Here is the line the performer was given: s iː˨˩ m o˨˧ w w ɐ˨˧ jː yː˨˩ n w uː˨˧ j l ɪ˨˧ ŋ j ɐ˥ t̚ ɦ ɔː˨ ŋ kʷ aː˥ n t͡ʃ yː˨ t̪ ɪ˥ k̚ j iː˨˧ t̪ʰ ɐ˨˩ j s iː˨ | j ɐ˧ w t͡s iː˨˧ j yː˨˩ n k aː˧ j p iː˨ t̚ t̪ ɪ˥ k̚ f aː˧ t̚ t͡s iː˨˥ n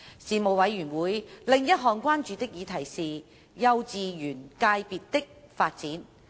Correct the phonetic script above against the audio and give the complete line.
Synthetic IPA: s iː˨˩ m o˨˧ w w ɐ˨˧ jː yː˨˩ n w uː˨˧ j l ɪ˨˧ ŋ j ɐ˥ t̚ ɦ ɔː˨ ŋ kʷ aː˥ n t͡ʃ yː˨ t̪ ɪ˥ k̚ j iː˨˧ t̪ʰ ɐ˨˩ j s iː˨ | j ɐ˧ w t͡s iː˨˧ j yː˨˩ n k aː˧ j p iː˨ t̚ t̪ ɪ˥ k̚ f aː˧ t̚ t͡s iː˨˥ n